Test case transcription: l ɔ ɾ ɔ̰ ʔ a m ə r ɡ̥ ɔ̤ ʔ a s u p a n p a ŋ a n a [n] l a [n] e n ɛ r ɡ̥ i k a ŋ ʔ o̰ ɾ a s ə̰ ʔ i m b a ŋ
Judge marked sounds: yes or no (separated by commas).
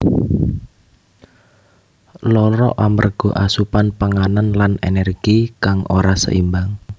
yes, yes